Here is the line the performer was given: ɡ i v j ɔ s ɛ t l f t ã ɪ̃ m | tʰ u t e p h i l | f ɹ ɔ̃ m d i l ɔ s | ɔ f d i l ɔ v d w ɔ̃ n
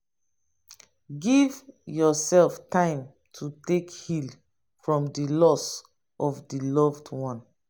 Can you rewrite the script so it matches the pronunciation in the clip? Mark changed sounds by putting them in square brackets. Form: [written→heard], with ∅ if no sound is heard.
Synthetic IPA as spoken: ɡ i v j ɔ s ɛ [t→∅] l f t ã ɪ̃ m | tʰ u t e [p→k] h i l | f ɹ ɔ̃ m d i l ɔ s | ɔ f d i l ɔ v d w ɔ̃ n